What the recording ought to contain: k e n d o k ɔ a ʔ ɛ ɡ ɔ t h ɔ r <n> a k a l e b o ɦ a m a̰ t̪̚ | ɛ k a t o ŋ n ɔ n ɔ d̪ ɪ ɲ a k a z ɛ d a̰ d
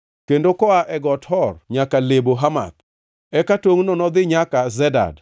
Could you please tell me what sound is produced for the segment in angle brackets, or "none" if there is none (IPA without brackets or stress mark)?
ɲ